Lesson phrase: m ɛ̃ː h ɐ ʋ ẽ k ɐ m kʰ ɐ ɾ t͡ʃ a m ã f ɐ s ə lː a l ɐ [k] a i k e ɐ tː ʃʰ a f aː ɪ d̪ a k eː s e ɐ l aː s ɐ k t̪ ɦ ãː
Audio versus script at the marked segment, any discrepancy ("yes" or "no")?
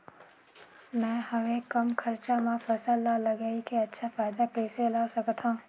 yes